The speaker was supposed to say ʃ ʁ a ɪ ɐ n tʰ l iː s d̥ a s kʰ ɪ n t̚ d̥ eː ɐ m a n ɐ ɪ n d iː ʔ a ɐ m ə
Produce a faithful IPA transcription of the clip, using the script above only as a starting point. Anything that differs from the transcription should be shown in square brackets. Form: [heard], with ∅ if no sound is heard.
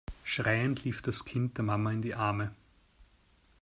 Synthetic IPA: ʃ ʁ a ɪ [ə] n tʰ l iː [f] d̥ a s kʰ ɪ n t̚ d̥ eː ɐ m a [m] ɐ ɪ n d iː ʔ a ɐ m ə